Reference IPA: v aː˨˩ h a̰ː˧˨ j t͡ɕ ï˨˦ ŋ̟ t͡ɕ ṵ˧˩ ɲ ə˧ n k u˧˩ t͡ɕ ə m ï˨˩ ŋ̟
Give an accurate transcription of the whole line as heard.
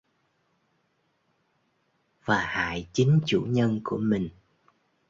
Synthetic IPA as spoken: v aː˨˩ h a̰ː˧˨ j t͡ɕ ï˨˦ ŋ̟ t͡ɕ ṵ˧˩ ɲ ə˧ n k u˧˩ ə m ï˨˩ ŋ̟